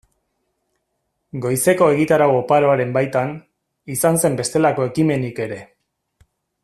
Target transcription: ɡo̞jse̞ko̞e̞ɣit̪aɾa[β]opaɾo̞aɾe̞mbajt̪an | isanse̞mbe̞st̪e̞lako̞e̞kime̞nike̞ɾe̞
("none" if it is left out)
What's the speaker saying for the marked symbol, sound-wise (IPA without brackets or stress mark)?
w